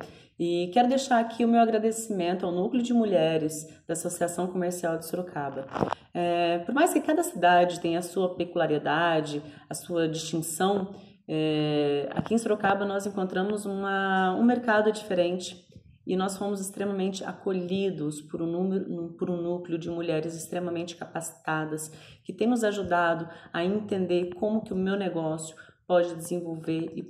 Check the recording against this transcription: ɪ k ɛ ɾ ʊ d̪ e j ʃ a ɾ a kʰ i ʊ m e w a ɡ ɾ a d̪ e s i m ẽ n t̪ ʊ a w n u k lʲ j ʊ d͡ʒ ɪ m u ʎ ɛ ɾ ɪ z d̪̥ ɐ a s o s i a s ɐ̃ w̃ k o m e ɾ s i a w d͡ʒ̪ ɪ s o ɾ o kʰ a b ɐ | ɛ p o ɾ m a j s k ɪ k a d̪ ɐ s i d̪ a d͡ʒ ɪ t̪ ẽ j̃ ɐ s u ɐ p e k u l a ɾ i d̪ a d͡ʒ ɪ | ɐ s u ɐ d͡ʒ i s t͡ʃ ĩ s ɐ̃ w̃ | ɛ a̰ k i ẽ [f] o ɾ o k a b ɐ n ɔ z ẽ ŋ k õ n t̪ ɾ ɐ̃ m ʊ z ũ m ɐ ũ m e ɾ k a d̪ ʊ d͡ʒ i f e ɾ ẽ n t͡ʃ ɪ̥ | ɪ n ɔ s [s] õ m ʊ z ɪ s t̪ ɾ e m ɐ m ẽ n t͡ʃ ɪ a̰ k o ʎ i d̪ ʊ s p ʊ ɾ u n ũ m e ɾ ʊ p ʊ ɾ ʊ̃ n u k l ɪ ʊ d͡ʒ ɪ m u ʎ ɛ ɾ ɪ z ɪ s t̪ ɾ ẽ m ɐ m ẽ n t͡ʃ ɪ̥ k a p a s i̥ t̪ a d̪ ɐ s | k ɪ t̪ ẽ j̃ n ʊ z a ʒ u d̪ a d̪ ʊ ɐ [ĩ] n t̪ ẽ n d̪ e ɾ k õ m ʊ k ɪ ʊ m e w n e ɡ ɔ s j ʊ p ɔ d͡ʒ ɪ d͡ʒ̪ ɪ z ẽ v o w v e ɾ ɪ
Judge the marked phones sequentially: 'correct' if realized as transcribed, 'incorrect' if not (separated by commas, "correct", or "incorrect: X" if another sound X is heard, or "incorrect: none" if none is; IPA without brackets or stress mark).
incorrect: s, incorrect: f, incorrect: ẽ